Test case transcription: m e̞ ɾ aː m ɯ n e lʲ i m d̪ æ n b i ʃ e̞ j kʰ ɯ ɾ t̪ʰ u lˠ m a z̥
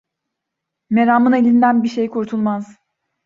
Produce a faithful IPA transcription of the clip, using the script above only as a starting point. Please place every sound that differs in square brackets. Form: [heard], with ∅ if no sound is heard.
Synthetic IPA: m e̞ ɾ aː m ɯ n e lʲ i [n] d̪ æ n b i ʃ e̞ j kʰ [u] ɾ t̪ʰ u lˠ m a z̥